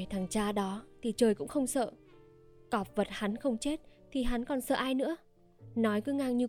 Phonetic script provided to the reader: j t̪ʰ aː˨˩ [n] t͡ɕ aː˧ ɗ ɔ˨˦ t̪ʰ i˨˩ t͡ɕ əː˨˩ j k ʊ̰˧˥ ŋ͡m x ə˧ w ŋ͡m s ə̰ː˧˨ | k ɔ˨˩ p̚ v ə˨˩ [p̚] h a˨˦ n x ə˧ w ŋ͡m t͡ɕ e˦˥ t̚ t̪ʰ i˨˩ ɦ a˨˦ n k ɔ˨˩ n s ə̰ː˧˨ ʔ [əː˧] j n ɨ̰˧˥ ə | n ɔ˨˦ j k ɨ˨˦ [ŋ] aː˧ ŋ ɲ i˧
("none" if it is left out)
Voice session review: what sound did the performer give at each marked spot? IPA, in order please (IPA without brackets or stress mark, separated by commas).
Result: ŋ, t̚, aː˧, ŋ